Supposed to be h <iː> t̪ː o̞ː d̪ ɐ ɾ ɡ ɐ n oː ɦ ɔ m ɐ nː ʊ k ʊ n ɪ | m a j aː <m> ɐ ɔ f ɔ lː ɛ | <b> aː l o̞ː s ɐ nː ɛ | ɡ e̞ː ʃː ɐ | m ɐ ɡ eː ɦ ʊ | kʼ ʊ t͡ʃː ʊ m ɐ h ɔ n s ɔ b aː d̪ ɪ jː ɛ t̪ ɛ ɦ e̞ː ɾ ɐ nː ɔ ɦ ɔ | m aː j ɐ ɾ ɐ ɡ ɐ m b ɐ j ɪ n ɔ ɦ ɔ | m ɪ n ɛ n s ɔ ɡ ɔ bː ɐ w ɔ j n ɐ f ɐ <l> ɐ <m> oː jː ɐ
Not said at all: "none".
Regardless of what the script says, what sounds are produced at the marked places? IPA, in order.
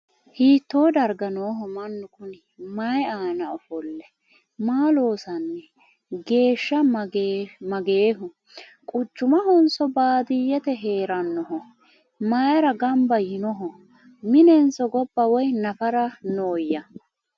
iː, n, m, ɾ, n

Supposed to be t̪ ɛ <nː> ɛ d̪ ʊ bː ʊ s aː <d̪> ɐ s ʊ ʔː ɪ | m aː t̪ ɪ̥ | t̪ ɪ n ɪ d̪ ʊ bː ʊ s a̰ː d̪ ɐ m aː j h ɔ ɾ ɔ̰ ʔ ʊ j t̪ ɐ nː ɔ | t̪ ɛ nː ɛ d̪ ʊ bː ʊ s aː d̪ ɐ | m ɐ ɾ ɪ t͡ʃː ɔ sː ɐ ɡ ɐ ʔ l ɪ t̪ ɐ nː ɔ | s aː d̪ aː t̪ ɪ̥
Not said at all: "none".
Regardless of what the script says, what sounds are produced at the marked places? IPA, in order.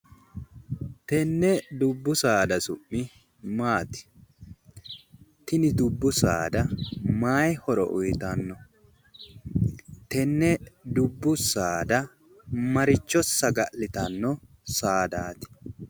nː, d̪

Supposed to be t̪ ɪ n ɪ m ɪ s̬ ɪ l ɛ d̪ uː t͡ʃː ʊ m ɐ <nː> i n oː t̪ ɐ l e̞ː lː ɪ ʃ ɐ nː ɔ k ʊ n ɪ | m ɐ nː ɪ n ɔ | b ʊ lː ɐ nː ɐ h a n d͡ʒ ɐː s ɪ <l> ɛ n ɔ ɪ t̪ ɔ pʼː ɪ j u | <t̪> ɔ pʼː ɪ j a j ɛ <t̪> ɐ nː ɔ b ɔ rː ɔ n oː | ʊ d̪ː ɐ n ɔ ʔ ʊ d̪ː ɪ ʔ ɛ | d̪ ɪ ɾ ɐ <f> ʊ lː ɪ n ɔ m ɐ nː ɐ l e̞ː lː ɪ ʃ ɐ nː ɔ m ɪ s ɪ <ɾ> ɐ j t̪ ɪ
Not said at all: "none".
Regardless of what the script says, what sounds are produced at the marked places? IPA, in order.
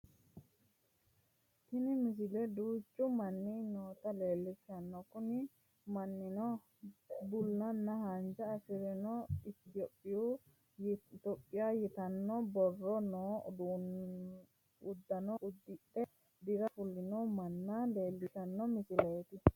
nː, ɾ, t̪, t̪, f, l

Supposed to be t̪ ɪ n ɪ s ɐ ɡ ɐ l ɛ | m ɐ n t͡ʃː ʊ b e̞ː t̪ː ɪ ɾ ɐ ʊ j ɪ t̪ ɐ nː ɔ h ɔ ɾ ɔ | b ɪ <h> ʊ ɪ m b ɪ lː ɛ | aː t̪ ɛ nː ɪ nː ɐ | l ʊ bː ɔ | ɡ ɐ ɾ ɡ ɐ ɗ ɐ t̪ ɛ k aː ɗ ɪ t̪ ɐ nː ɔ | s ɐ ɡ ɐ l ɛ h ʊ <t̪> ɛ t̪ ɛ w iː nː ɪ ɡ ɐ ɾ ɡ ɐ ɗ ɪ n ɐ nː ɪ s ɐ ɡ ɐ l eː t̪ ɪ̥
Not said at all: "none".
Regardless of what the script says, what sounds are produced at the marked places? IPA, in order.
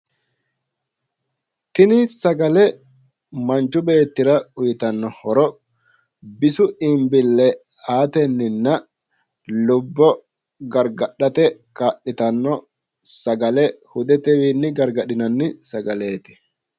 s, d̪

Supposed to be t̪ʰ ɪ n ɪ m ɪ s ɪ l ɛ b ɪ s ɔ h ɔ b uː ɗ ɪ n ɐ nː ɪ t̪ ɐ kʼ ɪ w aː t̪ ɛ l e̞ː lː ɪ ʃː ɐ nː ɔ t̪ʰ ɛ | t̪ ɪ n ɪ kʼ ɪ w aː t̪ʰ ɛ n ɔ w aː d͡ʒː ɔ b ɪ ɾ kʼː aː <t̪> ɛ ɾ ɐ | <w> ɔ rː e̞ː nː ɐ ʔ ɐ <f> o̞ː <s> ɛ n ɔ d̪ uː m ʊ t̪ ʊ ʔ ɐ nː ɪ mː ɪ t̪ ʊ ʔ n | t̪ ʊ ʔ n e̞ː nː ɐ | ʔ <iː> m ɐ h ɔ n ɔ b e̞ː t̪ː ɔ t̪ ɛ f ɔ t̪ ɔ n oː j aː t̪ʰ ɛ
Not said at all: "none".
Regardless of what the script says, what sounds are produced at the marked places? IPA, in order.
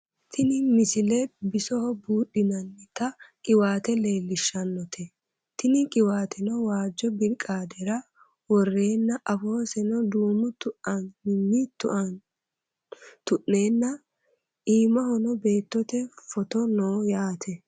d̪, w, f, s, iː

